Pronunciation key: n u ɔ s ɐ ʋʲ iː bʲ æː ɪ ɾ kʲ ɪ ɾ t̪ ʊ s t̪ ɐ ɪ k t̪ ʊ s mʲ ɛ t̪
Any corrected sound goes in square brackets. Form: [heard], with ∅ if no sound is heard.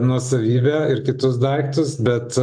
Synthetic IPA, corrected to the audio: n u ɔ s ɐ ʋʲ iː bʲ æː ɪ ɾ kʲ ɪ [∅] t̪ ʊ s [d̪] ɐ ɪ k t̪ ʊ s [bʲ] ɛ t̪